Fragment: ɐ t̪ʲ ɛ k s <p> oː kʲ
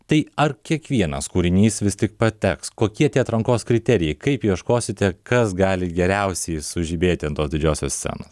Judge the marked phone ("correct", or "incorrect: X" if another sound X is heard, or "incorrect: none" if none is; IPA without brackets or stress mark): incorrect: k